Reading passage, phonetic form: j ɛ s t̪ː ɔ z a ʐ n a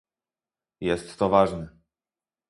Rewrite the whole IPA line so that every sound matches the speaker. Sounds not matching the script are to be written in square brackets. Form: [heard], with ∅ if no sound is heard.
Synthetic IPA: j ɛ s t̪ː ɔ [v] a ʐ n [ɛ]